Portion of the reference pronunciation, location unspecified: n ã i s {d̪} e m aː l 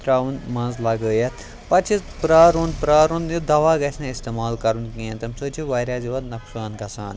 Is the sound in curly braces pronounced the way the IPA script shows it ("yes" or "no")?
no